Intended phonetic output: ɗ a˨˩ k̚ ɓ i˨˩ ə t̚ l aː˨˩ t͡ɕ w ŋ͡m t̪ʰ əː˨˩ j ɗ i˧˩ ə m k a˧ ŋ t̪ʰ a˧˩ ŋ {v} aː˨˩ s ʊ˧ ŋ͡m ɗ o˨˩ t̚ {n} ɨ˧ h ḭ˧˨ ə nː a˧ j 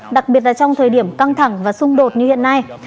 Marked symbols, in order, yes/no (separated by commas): yes, no